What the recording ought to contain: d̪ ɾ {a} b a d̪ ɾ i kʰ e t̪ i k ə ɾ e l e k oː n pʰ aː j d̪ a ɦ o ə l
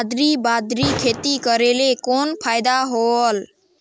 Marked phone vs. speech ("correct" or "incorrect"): incorrect